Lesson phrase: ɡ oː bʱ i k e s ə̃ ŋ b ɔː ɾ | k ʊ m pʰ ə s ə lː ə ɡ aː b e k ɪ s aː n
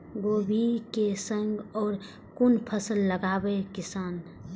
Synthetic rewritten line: ɡ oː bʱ i k e s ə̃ ŋ ɡ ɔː ɾ | k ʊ n pʰ ə s ə lː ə ɡ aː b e k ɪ s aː n